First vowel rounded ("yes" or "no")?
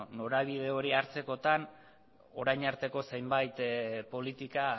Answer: yes